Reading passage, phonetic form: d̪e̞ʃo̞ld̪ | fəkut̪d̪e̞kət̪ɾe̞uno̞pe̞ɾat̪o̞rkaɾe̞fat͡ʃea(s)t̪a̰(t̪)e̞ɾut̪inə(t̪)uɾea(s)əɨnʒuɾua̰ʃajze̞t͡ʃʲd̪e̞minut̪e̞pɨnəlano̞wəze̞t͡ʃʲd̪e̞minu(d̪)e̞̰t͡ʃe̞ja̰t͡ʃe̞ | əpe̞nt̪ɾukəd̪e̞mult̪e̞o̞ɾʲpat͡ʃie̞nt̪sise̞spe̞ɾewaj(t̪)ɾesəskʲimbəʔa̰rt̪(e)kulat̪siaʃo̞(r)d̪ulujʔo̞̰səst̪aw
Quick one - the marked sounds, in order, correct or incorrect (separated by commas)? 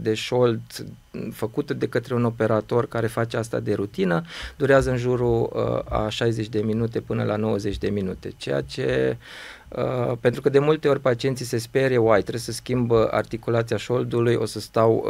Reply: correct, incorrect, incorrect, incorrect, incorrect, correct, incorrect, incorrect